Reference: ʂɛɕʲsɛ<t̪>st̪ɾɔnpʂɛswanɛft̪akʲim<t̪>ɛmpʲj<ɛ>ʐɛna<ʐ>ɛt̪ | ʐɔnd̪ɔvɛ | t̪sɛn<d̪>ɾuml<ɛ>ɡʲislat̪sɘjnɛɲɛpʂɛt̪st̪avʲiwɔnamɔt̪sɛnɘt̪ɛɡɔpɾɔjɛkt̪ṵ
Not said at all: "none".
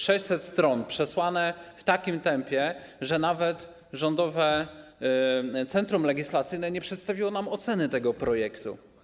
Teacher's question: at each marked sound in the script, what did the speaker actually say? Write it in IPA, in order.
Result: t̪, t̪, ɛ, v, t̪, ɛ

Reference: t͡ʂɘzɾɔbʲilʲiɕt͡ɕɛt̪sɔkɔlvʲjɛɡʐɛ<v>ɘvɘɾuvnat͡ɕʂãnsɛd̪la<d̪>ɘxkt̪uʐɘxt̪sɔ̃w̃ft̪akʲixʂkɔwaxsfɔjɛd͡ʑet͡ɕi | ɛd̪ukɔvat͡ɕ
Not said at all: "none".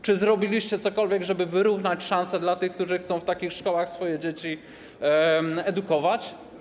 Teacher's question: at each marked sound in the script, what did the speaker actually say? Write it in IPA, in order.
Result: b, t̪

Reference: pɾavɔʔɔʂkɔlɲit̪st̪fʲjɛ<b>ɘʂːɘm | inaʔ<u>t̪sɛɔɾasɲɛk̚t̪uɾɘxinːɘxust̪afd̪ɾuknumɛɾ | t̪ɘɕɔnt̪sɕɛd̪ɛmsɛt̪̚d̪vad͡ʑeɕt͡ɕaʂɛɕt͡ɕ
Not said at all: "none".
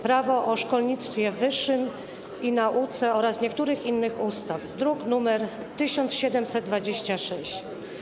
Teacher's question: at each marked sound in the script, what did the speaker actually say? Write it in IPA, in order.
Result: v, u

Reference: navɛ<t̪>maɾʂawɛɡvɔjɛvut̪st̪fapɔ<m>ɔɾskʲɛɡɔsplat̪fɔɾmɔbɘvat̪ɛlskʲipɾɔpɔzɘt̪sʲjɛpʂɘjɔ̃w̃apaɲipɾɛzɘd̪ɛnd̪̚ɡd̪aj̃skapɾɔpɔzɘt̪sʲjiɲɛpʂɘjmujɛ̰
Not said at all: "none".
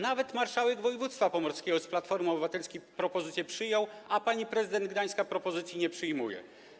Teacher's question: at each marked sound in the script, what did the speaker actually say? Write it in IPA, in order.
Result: t̪, m

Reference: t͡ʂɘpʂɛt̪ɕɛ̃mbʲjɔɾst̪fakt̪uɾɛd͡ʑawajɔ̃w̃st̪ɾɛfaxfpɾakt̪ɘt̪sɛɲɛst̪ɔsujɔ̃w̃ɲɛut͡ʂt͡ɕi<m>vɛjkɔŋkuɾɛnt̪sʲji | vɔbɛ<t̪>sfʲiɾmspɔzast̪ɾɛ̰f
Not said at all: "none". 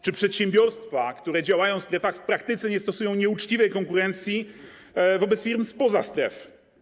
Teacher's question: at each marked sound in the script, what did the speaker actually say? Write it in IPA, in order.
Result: none, t̪

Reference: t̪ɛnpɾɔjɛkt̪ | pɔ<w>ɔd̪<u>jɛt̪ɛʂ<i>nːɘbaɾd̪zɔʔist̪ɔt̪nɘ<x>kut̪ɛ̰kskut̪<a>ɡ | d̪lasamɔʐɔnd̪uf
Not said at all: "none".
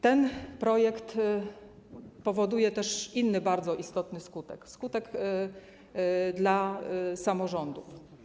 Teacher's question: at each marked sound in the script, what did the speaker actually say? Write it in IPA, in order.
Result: v, u, i, s, ɛ

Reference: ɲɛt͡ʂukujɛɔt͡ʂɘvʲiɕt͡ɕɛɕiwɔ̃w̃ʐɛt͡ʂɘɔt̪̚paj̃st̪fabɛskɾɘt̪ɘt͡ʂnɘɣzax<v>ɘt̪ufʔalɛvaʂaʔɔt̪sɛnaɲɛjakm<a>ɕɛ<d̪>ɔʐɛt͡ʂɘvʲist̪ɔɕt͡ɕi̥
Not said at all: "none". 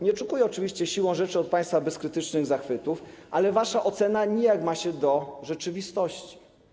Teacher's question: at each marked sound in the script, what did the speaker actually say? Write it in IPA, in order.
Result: f, a, d̪

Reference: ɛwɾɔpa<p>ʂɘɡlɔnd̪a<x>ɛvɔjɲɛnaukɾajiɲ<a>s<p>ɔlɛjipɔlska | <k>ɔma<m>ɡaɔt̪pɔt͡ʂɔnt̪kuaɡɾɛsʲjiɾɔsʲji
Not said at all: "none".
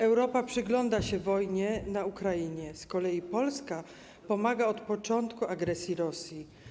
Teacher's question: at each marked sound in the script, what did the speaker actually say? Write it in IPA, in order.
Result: p, ɕ, ɛ, k, p, none

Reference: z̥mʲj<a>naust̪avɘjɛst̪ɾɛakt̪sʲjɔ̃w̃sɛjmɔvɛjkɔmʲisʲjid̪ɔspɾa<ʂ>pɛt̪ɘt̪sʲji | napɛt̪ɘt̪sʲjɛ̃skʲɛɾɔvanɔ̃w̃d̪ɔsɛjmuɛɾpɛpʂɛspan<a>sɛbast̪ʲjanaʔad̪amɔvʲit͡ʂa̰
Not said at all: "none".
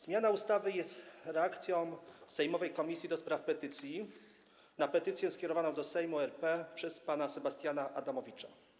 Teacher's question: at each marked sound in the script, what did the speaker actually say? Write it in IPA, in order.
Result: a, f, a

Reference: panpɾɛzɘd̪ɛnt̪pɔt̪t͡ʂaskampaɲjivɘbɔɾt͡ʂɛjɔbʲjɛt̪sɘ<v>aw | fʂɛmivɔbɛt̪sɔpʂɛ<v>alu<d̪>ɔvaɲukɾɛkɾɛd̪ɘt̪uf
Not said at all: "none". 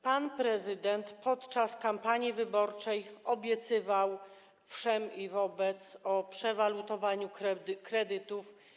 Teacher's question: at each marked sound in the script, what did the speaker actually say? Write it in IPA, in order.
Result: v, v, t̪

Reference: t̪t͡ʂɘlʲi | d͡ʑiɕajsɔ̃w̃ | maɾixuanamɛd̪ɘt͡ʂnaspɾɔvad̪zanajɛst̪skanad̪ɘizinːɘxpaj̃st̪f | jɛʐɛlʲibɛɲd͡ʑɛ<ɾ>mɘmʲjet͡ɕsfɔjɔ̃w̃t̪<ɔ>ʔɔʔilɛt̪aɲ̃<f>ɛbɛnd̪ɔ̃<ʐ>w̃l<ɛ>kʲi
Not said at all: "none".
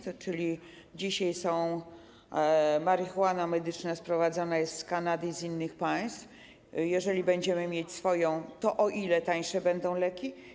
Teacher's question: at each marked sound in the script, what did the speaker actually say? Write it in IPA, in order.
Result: none, ɔ, ʂ, none, ɛ

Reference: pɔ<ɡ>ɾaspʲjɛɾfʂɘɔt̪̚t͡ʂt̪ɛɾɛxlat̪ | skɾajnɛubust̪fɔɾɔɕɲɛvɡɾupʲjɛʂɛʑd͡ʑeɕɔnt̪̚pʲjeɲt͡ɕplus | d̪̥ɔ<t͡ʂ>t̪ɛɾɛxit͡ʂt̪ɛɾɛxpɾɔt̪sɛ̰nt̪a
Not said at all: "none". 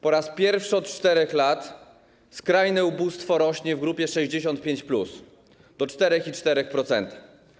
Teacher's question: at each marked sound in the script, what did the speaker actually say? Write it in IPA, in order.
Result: none, t͡ʂ

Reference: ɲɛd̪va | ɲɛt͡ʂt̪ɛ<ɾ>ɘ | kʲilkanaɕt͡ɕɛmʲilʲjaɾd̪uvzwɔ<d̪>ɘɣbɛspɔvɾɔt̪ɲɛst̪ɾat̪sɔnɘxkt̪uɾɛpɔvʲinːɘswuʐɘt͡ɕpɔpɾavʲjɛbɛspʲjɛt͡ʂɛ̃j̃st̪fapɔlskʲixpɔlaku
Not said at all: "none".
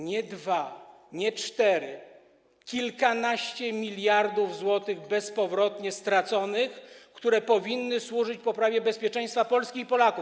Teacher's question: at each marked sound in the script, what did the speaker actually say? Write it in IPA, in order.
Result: ɾ, t̪

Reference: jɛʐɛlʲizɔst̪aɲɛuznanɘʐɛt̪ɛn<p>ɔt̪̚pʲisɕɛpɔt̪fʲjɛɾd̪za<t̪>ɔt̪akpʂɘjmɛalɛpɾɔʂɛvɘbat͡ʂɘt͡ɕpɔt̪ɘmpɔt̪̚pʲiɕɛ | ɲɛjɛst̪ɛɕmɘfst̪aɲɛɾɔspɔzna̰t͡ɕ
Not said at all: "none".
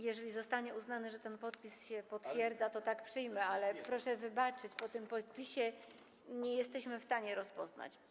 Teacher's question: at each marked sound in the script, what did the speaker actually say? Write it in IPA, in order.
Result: p, t̪

